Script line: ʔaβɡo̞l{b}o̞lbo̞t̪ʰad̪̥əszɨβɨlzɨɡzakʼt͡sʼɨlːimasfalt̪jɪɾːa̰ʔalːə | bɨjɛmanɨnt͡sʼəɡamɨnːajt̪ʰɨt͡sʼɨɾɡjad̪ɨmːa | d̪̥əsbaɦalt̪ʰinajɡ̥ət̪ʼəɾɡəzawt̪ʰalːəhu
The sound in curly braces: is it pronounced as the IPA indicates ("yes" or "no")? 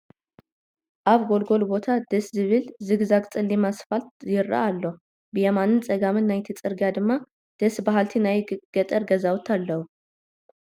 no